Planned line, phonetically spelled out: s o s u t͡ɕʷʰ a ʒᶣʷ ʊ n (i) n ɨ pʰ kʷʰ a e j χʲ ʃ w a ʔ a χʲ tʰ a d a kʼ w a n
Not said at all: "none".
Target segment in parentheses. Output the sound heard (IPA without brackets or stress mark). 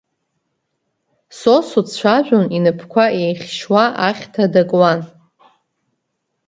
i